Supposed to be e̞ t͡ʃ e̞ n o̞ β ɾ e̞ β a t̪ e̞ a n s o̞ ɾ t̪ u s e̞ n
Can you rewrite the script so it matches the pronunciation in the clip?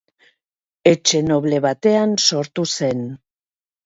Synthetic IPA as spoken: e̞ t͡ʃ e̞ n o̞ β l e̞ β a t̪ e̞ a n s o̞ ɾ t̪ u s e̞ n